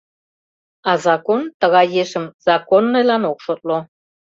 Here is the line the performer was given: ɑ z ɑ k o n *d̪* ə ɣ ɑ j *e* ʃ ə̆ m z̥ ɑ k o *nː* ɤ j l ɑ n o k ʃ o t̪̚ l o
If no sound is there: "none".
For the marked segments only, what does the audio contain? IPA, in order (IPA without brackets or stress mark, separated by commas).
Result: t̪, e, nː